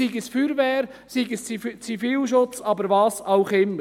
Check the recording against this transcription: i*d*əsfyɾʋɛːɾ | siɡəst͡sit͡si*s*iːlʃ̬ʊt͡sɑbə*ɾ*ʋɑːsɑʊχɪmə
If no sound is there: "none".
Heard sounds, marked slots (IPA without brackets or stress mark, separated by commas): ɡ, f, ɾ